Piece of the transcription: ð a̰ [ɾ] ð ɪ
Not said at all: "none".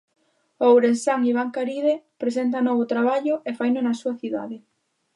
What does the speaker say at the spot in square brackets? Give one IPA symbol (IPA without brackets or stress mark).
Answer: none